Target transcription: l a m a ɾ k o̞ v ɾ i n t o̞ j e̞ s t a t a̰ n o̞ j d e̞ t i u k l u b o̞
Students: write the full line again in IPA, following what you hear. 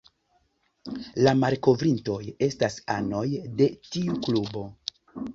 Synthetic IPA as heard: l a m a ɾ k o̞ v ɾ i n t o̞ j e̞ s t a s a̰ n o̞ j d e̞ t i u k l u b o̞

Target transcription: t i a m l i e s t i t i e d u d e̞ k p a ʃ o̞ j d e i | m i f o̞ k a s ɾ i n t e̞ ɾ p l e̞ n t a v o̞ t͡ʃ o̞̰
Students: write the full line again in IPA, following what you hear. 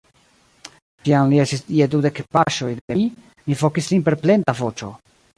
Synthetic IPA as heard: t i a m l i e s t i s i e d u d e̞ k p a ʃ o̞ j d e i | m i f o̞ k i s l i n p e̞ ɾ p l e̞ n t a v o̞ t͡ʃ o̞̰

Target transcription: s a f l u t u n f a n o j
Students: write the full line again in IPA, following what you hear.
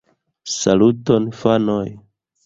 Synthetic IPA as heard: s a l u t o n f a n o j

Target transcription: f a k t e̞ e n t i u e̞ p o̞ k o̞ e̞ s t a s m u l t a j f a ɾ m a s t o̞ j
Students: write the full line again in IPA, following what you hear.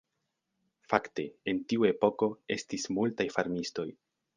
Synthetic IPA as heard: f a k t e̞ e n t i u e̞ p o̞ k o̞ e̞ s t i s m u l t a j f a ɾ m i s t o̞ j

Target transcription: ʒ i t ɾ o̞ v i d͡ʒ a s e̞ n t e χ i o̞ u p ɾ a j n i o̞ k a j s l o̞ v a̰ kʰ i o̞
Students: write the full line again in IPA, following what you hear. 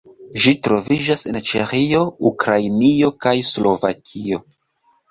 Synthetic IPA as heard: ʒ i t ɾ o̞ v i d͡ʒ a s e̞ n t͡ʃ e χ i o̞ u k ɾ a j n i o̞ k a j s l o̞ v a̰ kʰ i o̞

